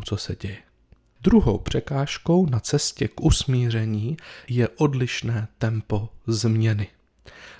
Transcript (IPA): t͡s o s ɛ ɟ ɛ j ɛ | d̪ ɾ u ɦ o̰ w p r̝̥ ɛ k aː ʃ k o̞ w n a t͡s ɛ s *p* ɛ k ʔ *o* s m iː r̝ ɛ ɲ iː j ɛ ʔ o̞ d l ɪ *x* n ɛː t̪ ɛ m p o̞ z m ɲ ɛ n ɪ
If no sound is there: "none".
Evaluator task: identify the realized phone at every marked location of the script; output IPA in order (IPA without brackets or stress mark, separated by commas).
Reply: c, u, ʃ